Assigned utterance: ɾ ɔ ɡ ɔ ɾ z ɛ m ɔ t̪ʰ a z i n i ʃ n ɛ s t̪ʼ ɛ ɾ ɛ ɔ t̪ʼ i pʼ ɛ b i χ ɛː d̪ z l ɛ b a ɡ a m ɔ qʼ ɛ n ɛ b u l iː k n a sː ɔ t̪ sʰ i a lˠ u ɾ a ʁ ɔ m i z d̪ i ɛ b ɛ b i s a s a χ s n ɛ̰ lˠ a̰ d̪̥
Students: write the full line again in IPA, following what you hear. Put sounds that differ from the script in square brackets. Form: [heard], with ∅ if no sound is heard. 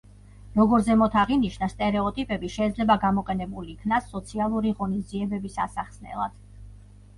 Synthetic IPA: ɾ ɔ ɡ ɔ ɾ z ɛ m ɔ t̪ʰ a [ʁ] i n i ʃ n [a] s t̪ʼ ɛ ɾ ɛ ɔ t̪ʼ i pʼ ɛ b i [ʃ] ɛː d̪ z l ɛ b a ɡ a m ɔ qʼ ɛ n ɛ b u l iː [kʰ] n a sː ɔ t̪ sʰ i a lˠ u ɾ [i] ʁ ɔ [n] i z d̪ i ɛ b ɛ b i s a s a χ s n ɛ̰ lˠ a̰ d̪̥